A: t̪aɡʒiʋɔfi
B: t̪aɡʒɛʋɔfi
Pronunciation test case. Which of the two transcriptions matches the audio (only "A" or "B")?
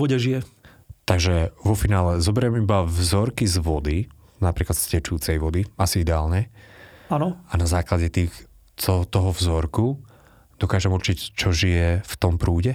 B